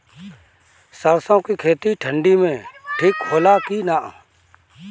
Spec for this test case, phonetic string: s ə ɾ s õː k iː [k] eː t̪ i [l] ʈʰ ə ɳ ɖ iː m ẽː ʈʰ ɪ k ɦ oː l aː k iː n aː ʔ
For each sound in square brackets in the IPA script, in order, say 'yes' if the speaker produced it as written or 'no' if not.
no, no

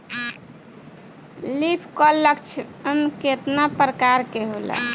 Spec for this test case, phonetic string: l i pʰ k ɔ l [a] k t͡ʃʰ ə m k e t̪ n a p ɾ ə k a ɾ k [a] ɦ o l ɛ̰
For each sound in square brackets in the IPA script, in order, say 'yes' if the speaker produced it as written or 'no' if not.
no, no

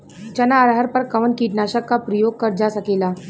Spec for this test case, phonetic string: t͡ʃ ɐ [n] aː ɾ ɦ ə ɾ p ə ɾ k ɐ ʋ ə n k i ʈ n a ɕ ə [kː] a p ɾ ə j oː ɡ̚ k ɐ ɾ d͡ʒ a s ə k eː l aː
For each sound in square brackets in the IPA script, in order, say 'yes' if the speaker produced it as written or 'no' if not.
yes, yes

